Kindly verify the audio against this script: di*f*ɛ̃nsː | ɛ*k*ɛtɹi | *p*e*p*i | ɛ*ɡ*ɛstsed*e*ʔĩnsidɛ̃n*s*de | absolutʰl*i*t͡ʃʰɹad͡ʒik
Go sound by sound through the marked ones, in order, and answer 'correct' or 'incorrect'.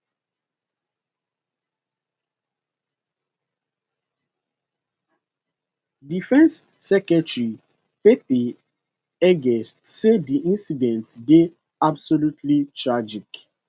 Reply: correct, correct, correct, incorrect: t, correct, incorrect: i, incorrect: t, correct

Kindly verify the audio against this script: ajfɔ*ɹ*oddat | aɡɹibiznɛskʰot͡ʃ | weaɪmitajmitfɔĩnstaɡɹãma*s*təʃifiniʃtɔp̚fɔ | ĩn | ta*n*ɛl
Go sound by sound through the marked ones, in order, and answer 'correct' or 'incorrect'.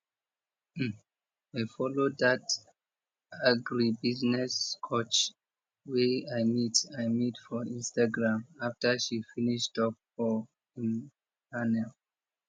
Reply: incorrect: l, incorrect: f, correct

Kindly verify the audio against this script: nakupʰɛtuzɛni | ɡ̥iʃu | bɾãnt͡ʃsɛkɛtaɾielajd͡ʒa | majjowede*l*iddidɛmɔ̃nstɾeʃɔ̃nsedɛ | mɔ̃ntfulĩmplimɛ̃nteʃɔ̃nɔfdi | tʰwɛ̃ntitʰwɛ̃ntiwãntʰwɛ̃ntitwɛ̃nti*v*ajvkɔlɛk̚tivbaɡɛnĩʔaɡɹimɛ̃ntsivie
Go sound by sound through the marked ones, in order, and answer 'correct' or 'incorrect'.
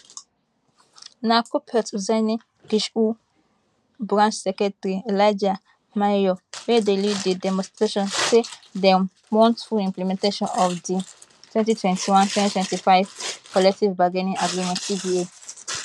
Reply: correct, incorrect: f

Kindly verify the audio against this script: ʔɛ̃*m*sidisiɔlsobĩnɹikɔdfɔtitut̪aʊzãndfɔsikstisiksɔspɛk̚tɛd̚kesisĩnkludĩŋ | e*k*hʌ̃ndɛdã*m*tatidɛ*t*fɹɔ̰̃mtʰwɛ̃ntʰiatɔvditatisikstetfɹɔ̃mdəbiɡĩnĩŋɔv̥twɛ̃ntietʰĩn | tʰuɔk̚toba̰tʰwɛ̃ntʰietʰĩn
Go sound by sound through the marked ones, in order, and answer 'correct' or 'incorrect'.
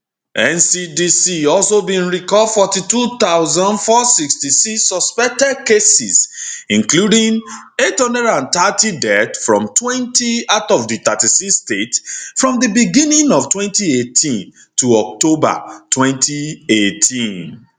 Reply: incorrect: n, incorrect: t, incorrect: n, correct

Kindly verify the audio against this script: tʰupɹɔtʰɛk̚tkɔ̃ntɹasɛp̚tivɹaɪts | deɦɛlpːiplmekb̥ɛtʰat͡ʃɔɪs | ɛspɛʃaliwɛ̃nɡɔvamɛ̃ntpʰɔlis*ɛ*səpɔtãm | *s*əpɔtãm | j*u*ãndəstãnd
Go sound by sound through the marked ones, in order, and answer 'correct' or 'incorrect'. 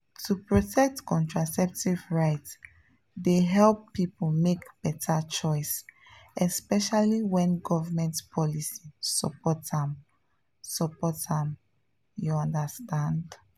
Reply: incorrect: i, correct, correct

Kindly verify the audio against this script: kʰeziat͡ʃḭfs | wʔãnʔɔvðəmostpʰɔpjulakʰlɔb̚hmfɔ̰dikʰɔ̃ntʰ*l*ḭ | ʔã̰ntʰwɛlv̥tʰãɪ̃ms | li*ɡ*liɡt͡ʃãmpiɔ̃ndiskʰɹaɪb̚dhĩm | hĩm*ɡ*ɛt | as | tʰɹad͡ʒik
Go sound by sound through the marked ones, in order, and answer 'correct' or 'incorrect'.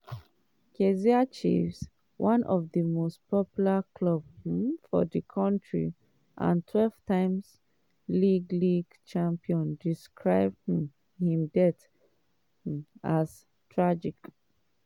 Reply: incorrect: ɹ, correct, incorrect: d

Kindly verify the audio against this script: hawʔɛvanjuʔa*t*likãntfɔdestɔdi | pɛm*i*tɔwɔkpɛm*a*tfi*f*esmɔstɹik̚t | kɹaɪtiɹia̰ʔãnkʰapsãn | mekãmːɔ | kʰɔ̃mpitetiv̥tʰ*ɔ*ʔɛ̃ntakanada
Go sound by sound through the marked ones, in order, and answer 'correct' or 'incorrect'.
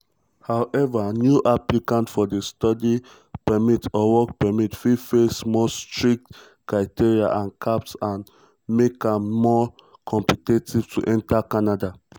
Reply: incorrect: p, correct, incorrect: i, correct, incorrect: u

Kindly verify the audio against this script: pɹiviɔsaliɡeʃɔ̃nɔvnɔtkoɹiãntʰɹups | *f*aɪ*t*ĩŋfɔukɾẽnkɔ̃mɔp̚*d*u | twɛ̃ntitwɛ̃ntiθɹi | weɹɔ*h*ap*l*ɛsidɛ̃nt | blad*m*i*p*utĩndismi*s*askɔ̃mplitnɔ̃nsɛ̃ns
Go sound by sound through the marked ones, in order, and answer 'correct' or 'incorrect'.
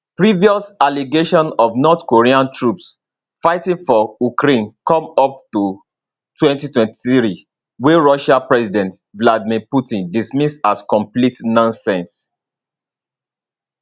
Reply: correct, correct, incorrect: t, incorrect: ʃ, incorrect: ɹ, correct, correct, correct

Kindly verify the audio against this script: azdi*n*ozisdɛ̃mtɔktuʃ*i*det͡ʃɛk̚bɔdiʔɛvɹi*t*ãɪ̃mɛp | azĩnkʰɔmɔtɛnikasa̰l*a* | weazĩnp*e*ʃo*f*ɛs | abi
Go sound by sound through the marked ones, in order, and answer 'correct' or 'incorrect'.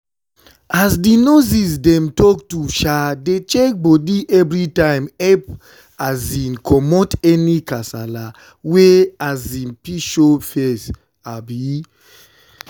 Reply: correct, incorrect: a, correct, correct, incorrect: i, correct

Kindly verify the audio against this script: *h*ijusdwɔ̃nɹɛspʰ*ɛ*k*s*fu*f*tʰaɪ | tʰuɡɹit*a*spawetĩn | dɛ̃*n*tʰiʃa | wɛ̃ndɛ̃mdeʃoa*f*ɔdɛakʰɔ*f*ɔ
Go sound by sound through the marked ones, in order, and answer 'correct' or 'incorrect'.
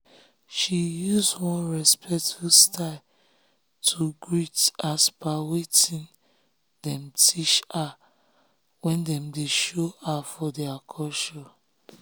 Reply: incorrect: ʃ, correct, incorrect: t, incorrect: s, correct, incorrect: m, correct, incorrect: ʃ

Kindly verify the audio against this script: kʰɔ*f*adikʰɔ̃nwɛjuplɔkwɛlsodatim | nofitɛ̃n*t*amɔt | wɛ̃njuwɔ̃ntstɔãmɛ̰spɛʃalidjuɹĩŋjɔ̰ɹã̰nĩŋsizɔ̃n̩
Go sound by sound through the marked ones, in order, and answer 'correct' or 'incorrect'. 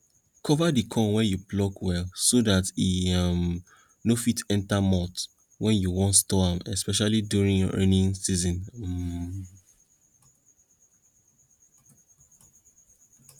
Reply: incorrect: v, correct

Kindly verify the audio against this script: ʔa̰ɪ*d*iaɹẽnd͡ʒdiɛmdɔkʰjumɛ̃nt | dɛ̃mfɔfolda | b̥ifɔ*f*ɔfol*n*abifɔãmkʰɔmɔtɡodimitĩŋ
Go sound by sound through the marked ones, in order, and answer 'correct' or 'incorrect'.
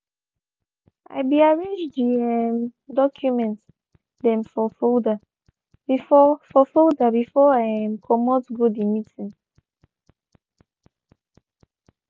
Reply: incorrect: b, correct, incorrect: d

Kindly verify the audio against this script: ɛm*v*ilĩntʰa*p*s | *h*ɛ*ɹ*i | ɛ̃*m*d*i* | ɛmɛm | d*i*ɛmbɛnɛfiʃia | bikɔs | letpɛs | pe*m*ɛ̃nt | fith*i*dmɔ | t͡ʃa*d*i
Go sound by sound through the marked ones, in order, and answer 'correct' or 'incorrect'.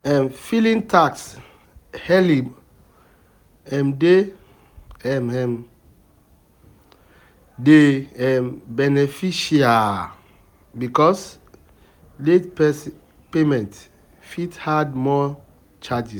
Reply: incorrect: f, incorrect: k, correct, incorrect: l, correct, incorrect: e, incorrect: e, correct, incorrect: a, incorrect: d͡ʒ

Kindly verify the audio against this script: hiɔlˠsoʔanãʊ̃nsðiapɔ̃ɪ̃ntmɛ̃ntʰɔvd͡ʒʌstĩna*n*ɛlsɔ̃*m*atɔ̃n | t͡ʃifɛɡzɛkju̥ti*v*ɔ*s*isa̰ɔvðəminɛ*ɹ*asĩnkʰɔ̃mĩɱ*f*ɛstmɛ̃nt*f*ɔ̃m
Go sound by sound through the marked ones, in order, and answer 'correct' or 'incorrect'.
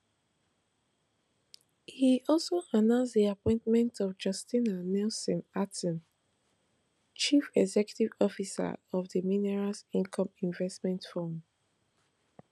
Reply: correct, incorrect: n, correct, incorrect: f, correct, incorrect: v, correct

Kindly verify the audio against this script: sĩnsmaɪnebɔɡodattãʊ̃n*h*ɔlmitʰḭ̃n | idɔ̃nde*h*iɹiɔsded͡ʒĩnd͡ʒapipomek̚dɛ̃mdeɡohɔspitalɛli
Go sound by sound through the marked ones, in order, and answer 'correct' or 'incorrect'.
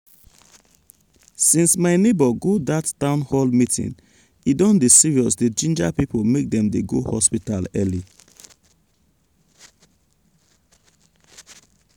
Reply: correct, incorrect: s

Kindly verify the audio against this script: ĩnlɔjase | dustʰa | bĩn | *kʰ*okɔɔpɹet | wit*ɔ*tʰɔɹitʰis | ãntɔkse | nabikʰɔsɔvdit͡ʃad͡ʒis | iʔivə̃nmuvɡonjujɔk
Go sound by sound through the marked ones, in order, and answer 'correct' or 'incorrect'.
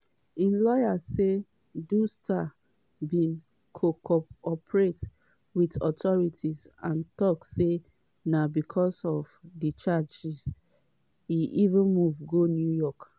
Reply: correct, correct

